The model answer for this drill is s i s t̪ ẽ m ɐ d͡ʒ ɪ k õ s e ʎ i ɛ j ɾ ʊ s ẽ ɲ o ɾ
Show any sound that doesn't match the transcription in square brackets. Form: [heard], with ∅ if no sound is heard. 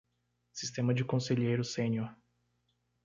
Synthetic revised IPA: s i s t̪ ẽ m ɐ d͡ʒ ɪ k õ s e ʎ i [e] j ɾ ʊ s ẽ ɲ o ɾ

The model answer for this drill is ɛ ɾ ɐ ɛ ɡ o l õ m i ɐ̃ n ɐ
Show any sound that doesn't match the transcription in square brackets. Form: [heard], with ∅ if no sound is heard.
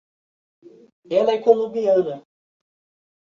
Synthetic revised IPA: ɛ [l] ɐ ɛ [k] o l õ [b] i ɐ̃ n ɐ

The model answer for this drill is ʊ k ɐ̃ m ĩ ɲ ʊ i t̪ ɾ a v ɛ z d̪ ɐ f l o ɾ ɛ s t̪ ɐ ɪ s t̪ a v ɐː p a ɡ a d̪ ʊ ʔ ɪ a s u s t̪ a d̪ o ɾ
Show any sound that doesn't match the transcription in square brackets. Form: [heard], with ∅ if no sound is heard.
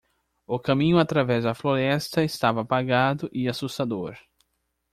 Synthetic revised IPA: ʊ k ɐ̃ m ĩ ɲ ʊ [a] t̪ ɾ a v ɛ z d̪ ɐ f l o ɾ ɛ s t̪ ɐ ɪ s t̪ a v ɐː p a ɡ a d̪ ʊ ʔ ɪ a s u s t̪ a d̪ o ɾ

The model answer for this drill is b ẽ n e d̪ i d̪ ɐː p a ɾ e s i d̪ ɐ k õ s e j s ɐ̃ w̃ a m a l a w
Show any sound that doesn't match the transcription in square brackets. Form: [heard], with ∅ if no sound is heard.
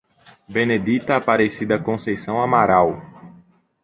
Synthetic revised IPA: b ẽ n e d̪ i [t̪] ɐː p a ɾ e s i d̪ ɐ k õ s e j s ɐ̃ w̃ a m a [ɾ] a w

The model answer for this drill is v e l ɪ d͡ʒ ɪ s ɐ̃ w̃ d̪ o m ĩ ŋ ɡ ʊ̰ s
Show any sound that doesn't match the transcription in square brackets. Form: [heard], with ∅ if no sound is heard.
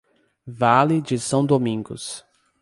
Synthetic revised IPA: v [a] l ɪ d͡ʒ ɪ s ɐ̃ w̃ d̪ o m ĩ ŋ ɡ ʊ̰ s

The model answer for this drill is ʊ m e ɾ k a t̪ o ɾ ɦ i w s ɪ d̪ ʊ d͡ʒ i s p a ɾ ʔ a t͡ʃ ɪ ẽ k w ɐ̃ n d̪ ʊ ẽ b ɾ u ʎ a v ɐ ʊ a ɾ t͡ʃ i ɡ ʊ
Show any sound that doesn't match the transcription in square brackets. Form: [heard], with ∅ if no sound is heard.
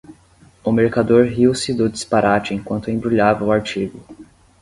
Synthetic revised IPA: ʊ m e ɾ k a [d̪] o ɾ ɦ i w s ɪ d̪ ʊ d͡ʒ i s p a ɾ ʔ a t͡ʃ ɪ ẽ k w ɐ̃ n [t̪] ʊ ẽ b ɾ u ʎ a v ɐ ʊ a ɾ t͡ʃ i ɡ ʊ

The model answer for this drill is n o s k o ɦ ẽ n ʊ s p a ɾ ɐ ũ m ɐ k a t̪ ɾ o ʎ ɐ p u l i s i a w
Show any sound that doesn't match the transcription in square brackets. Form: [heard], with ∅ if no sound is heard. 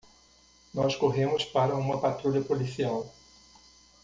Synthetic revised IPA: n [ɔ] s k o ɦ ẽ [m] ʊ s p a ɾ ɐ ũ m ɐ [p] a t̪ ɾ [u] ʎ ɐ p [o] l i s i a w

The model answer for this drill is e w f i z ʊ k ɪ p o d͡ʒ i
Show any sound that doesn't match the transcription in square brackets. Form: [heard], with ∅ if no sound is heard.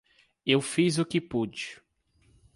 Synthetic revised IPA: e w f i z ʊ k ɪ p [u] d͡ʒ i

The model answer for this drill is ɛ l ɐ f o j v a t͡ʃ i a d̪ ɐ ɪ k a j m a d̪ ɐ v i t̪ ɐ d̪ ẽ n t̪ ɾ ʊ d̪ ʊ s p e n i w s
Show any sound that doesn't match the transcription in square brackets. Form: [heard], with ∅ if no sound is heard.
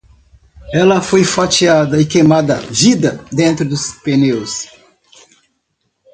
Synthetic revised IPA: ɛ l ɐ f o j [f] a t͡ʃ i a d̪ ɐ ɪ k [e] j m a d̪ ɐ v i [d̪] ɐ d̪ ẽ n t̪ ɾ ʊ d̪ ʊ s p e n [e] w s

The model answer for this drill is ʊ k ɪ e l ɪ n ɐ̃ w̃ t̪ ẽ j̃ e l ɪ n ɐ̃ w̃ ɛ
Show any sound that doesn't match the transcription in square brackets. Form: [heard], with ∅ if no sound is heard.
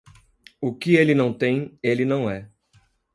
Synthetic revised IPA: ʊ k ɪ e l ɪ n ɐ̃ w̃ t̪ ẽ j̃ e l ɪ n ɐ̃ w̃ ɛ

